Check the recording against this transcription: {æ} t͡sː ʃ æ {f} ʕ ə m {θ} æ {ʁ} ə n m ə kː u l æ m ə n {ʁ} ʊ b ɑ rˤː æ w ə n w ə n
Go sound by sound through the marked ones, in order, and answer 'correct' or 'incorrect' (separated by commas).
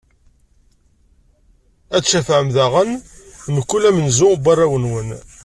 correct, correct, incorrect, correct, incorrect